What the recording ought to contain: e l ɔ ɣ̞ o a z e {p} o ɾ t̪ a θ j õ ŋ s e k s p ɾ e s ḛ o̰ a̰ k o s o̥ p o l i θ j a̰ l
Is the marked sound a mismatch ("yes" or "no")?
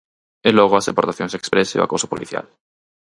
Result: no